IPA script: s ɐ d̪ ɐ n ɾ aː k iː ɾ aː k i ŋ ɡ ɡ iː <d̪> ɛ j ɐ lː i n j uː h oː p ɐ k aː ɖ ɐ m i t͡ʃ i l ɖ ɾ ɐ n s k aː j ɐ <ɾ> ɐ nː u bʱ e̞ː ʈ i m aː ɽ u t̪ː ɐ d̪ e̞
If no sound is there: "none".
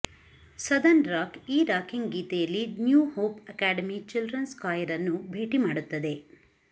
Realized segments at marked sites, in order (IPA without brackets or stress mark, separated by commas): t̪, ɾ